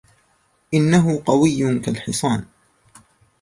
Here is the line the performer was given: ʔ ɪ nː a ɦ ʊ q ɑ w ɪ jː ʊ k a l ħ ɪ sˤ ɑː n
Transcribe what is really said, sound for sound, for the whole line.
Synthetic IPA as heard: ʔ ɪ nː a ɦ ʊ q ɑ w ɪ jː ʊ k a l ħ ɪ sˤ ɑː n